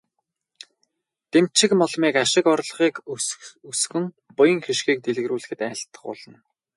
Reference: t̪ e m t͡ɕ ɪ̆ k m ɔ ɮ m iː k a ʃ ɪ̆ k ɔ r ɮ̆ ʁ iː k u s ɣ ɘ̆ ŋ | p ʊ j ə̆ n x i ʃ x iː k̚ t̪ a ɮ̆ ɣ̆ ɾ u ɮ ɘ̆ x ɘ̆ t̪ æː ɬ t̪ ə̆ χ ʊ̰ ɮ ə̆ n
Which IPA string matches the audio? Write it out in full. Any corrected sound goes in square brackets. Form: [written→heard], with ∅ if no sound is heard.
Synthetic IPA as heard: t̪ e m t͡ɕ ɪ̆ k m ɔ ɮ m iː k a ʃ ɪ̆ k ɔ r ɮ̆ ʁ iː k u s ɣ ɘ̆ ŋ | p ʊ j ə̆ [n→ŋ] x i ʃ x iː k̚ t̪ [a→e] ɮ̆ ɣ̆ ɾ [u→uː] ɮ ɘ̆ x ɘ̆ t̪ æː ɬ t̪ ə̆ χ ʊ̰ ɮ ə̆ n